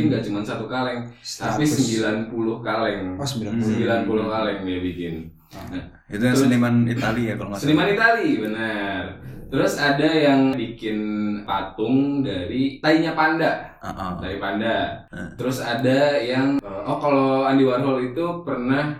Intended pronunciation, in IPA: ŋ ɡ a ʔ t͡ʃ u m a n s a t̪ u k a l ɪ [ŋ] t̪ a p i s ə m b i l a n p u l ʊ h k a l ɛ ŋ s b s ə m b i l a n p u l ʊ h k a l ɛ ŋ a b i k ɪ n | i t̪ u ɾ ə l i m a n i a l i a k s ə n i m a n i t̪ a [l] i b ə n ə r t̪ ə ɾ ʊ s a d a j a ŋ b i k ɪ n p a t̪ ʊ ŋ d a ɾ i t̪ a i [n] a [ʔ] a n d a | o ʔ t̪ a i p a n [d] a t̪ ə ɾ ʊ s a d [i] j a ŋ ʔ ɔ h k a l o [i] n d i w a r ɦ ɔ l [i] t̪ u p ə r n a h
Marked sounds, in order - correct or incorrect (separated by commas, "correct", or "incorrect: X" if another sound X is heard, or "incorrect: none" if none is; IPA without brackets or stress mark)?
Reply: correct, correct, incorrect: ɲ, incorrect: p, correct, incorrect: a, incorrect: a, correct